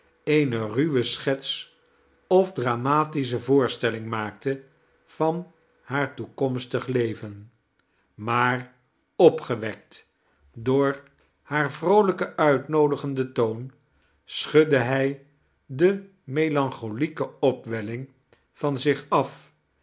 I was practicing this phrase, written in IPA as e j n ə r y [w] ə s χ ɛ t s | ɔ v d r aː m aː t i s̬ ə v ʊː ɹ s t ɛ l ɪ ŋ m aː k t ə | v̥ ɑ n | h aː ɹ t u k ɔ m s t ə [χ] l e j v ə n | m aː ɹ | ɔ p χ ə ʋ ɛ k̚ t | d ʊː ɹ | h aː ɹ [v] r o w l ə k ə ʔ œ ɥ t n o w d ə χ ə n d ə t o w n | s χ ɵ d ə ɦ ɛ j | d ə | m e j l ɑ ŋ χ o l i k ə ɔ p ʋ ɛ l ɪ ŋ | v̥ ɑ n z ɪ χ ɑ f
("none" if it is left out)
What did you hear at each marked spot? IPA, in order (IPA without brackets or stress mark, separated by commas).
ʋ, χ, v